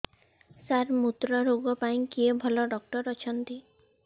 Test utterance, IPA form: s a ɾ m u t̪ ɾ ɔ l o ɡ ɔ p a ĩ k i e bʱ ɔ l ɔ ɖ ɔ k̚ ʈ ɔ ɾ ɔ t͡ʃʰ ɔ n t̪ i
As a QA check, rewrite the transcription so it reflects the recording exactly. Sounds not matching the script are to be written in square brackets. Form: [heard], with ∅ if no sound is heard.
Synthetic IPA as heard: s a ɾ m u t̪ ɾ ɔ [ɾ] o ɡ ɔ p a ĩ k i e bʱ ɔ l ɔ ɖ ɔ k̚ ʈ ɔ ɾ ɔ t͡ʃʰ ɔ n t̪ i